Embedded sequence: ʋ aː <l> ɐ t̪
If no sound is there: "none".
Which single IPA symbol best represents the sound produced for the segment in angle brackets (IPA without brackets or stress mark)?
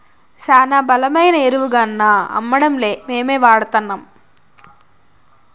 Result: ɽ